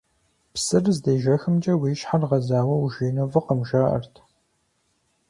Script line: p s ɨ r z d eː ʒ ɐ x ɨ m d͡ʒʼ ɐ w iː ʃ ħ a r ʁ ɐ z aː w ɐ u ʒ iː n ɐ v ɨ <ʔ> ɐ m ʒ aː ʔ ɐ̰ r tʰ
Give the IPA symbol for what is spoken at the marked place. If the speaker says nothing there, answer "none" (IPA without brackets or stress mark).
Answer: q